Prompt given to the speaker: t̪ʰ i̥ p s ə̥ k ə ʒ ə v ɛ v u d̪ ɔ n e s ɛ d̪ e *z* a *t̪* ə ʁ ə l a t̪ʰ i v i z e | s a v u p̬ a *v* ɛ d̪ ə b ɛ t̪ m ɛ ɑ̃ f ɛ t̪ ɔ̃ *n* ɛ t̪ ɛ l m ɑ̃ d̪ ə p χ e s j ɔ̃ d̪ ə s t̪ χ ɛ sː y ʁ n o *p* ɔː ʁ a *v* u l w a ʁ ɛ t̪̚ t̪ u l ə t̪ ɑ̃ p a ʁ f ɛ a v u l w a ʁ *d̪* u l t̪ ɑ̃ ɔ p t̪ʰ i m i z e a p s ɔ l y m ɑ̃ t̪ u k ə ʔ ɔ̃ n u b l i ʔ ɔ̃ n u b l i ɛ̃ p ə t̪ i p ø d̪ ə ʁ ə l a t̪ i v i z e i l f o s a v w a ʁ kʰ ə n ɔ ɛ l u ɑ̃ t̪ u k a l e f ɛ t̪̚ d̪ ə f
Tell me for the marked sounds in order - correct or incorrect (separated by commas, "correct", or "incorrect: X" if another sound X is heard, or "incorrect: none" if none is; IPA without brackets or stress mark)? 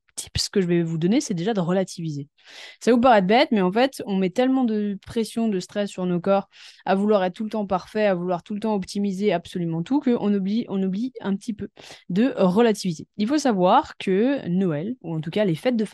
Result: incorrect: ʒ, incorrect: d̪, incorrect: ʁ, incorrect: m, incorrect: k, correct, incorrect: t̪